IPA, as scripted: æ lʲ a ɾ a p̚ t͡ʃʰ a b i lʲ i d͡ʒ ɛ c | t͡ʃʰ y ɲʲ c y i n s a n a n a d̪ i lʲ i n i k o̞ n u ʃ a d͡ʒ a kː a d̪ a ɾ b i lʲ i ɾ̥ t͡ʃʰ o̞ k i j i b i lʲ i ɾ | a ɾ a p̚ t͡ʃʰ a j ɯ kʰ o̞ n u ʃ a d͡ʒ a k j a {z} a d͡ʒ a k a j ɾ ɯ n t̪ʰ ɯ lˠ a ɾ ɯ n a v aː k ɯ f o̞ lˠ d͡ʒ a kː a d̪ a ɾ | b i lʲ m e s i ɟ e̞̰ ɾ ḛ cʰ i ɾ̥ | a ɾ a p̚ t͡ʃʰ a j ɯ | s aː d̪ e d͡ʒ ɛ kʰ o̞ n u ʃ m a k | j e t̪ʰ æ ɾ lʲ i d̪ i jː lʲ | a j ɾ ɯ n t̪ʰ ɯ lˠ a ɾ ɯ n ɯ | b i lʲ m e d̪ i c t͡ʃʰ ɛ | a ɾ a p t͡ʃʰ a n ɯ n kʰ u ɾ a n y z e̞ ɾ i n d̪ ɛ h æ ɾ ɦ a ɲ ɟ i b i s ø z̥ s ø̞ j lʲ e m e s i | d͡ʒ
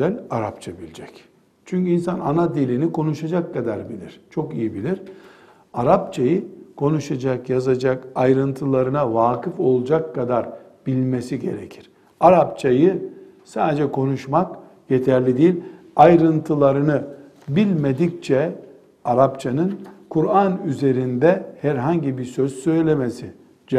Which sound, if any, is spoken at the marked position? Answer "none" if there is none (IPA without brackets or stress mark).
z